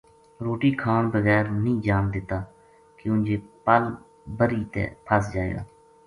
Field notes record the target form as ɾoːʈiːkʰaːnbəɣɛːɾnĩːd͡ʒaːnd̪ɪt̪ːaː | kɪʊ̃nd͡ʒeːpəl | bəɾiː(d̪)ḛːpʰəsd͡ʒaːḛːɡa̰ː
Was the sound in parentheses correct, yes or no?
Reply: no